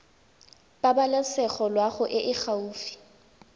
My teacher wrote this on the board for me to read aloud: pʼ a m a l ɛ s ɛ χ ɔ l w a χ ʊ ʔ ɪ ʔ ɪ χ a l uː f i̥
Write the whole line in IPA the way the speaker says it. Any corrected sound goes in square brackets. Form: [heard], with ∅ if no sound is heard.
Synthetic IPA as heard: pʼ a [b] a l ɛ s ɛ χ ɔ l w a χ ʊ ʔ ɪ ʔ ɪ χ a [∅] uː f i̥

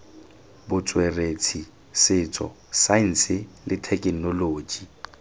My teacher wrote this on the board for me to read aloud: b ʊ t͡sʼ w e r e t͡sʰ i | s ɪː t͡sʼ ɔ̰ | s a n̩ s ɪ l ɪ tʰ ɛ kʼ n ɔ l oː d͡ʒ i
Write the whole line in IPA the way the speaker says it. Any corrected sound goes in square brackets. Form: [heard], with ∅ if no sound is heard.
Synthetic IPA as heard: b ʊ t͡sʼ w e r e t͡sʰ i | s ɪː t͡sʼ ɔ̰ | s a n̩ s ɪ l ɪ tʰ ɛ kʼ n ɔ l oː d͡ʒ i

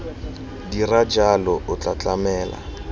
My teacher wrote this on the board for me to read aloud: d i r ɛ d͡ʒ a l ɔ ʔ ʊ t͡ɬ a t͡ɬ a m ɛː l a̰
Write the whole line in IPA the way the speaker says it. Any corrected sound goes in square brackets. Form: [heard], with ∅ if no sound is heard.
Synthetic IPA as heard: d i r [a] d͡ʒ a l ɔ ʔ ʊ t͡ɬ a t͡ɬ a m ɛː l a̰

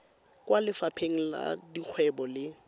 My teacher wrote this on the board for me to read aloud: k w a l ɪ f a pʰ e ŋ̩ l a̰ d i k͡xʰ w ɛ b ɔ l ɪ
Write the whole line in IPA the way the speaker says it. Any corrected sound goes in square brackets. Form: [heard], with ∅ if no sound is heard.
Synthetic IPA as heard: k w a l ɪ f a pʰ e ŋ̩ l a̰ d i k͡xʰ w ɛ b ɔ l ɪ

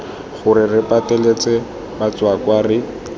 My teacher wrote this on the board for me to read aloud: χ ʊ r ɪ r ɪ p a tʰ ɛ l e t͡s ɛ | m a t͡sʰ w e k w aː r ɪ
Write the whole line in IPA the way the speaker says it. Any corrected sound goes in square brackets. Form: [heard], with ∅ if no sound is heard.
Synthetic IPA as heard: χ ʊ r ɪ r ɪ p a [t] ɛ l e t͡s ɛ | [b] a [t͡s] w [a] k w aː r ɪ

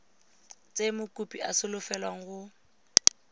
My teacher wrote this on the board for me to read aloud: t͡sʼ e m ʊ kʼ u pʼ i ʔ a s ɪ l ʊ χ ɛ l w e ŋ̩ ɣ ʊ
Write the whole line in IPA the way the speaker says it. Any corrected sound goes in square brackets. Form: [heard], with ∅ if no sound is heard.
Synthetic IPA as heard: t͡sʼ e m ʊ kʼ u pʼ i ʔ a s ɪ l ʊ [f] ɛ l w [a] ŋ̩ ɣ ʊ

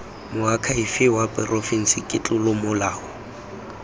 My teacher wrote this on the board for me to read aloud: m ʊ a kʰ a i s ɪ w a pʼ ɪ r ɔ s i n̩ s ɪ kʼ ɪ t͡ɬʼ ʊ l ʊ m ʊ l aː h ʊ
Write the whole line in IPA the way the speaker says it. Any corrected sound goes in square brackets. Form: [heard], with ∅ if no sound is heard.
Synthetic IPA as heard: m ʊ a kʰ a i [f] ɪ w a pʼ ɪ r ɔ [f] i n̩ s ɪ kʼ ɪ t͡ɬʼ ʊ l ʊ m ʊ l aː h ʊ

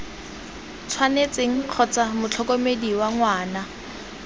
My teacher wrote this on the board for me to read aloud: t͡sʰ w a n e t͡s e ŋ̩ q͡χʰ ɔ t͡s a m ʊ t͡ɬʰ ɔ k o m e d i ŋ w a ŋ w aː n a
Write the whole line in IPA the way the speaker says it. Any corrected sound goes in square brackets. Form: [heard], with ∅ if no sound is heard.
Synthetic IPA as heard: t͡sʰ w a n e t͡s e ŋ̩ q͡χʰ ɔ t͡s a m ʊ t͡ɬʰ ɔ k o m e d i [∅] w a ŋ w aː n a

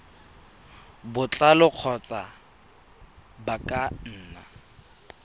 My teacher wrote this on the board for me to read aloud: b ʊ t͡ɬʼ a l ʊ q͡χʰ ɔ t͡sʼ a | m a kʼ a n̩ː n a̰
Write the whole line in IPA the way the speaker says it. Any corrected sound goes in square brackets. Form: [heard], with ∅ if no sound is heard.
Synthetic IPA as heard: b ʊ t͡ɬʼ a l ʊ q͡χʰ ɔ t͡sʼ a | [b] a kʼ a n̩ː n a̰

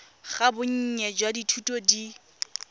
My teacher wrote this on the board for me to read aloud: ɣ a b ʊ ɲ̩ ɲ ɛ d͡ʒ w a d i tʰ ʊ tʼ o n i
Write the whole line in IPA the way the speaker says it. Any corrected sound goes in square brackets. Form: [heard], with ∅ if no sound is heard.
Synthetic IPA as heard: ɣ a b ʊ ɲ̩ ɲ ɛ d͡ʒ w a d i tʰ [u] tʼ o [d] i

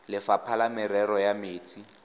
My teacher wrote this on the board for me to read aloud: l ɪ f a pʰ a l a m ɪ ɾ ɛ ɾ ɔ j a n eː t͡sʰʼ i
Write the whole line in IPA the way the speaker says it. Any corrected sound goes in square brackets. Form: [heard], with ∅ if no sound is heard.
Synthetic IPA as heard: l ɪ f a pʰ a l a m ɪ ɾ ɛ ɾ ɔ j a [m] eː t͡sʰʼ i

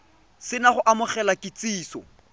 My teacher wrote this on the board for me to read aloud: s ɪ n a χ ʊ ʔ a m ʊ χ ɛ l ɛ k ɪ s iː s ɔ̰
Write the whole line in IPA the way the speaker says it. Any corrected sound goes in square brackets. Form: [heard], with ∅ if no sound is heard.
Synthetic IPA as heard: s ɪ n a χ ʊ ʔ a m ʊ χ ɛ l [a] k ɪ [t͡s] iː s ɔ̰

